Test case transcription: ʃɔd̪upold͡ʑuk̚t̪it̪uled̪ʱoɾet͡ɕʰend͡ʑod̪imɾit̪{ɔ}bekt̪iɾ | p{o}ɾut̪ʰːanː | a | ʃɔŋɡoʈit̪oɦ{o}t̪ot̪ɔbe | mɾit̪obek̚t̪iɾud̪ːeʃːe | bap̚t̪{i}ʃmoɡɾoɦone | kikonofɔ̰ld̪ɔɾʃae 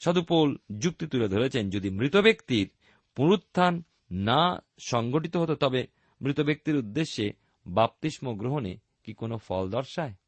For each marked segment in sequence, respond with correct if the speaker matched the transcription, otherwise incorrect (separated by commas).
incorrect, incorrect, correct, correct